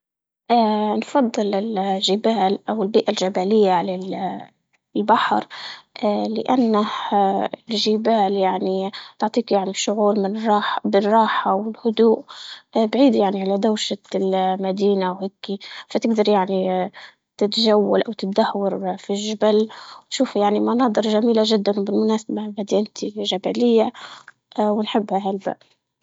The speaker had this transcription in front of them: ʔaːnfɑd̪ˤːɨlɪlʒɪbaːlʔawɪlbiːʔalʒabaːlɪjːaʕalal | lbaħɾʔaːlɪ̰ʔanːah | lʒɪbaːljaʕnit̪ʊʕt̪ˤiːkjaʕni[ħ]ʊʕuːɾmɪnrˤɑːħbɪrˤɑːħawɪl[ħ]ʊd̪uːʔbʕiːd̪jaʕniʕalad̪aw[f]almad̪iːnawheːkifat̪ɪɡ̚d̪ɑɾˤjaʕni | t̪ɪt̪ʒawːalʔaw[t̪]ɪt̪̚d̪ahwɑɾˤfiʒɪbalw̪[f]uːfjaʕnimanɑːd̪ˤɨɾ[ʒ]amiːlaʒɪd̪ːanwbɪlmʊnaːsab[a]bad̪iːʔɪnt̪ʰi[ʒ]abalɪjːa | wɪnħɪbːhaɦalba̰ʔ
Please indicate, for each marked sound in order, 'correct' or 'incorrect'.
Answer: incorrect, incorrect, incorrect, correct, incorrect, correct, correct, correct

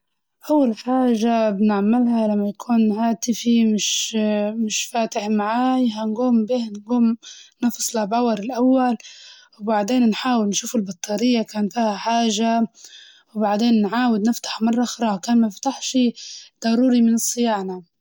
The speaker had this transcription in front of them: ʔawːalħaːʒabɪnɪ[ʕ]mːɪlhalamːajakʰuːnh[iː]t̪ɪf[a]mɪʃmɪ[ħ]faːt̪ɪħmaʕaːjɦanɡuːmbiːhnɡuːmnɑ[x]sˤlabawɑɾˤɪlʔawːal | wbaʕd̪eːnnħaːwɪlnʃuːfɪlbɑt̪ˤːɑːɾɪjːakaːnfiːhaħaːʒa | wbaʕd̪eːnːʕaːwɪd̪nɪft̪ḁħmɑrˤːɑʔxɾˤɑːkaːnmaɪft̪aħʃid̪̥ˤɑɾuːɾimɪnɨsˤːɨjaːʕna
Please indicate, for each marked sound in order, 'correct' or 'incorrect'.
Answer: correct, incorrect, incorrect, incorrect, incorrect

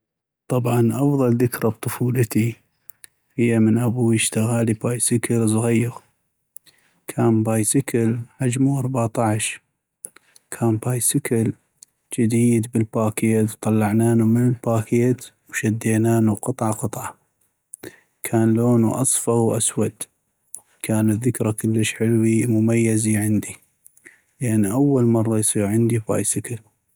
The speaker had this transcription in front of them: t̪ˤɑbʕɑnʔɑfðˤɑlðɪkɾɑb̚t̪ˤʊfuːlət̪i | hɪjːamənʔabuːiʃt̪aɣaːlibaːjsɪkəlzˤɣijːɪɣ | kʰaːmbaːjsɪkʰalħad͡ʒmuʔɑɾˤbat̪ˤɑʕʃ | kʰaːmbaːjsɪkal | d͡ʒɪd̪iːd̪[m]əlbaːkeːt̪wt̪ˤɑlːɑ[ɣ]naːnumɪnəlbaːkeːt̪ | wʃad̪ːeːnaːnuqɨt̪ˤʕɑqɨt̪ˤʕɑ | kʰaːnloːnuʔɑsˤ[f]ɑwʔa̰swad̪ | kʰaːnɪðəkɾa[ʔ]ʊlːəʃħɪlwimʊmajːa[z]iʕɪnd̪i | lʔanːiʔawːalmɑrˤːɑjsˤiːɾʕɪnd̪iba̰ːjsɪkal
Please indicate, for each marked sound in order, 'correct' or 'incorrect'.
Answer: incorrect, incorrect, correct, incorrect, correct

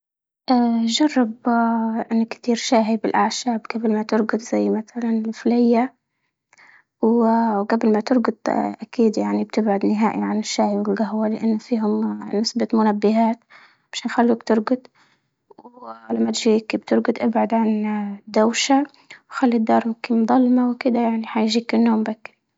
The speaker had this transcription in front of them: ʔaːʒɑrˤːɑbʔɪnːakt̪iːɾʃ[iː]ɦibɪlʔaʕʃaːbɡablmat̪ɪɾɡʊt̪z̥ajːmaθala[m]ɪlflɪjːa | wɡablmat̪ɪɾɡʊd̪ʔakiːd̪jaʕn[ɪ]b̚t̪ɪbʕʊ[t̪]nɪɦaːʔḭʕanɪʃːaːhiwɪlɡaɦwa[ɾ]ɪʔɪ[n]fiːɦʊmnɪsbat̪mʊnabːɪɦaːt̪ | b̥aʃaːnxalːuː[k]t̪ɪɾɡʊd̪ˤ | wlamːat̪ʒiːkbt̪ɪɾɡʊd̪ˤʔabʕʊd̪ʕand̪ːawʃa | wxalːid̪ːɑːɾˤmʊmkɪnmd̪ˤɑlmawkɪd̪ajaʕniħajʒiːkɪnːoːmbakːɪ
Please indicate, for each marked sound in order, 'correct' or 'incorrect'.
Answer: incorrect, incorrect, incorrect, incorrect, incorrect, incorrect, correct

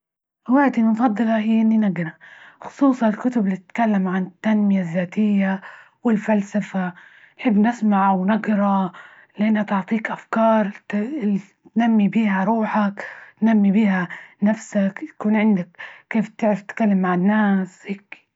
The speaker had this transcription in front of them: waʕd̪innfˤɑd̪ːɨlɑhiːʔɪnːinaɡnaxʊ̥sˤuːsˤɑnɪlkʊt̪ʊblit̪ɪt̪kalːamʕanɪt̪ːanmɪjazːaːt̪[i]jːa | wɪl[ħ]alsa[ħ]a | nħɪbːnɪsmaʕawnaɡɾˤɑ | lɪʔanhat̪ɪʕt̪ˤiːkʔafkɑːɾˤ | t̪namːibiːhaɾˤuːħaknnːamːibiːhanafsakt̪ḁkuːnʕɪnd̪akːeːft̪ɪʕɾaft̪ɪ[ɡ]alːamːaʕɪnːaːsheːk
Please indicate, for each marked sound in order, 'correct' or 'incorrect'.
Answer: incorrect, incorrect, incorrect, incorrect

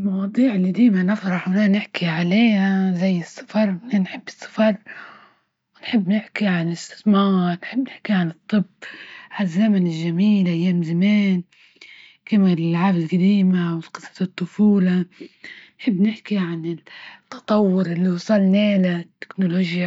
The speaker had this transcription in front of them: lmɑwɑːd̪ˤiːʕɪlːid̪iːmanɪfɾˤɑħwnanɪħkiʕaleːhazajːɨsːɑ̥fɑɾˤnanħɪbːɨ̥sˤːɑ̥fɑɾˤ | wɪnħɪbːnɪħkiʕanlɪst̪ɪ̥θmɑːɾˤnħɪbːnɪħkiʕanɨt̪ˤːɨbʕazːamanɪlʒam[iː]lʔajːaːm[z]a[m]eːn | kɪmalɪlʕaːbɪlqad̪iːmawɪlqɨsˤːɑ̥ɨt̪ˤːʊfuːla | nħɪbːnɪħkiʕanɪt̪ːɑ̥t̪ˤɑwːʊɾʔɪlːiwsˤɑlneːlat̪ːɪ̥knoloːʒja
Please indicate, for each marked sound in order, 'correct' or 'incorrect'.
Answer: correct, correct, correct

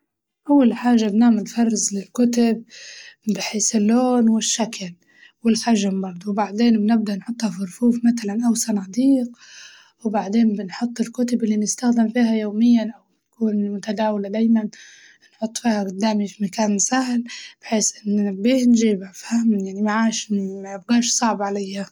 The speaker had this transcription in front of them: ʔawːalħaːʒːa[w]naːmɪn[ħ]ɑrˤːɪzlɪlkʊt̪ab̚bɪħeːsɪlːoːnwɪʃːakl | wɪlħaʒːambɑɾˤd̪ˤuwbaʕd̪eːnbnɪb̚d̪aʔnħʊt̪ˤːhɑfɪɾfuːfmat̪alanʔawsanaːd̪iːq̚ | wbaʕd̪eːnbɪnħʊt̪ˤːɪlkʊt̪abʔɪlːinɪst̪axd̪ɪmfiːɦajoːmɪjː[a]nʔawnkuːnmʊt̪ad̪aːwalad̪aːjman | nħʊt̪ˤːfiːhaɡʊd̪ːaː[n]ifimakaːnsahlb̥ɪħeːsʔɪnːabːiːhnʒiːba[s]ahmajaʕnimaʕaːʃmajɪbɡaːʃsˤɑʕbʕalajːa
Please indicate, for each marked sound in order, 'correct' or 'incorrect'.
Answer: incorrect, incorrect, correct, incorrect, incorrect

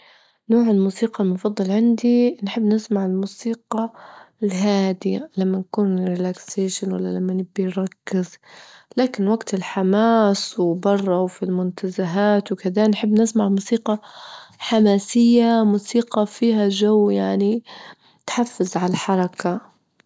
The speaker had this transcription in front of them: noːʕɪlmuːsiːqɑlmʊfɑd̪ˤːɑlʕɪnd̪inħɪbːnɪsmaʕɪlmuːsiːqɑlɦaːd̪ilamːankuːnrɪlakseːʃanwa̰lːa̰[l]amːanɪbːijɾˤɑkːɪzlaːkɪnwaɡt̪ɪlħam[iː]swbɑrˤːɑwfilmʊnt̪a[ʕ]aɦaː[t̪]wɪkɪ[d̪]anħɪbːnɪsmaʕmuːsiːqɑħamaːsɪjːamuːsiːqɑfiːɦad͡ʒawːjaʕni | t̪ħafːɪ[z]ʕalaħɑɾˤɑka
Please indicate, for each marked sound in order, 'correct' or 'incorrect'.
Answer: correct, incorrect, incorrect, correct, correct, correct

